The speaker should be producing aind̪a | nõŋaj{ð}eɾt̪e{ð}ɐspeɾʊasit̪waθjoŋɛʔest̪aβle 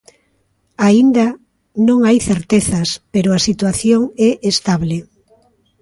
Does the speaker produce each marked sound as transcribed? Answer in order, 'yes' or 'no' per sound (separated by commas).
no, no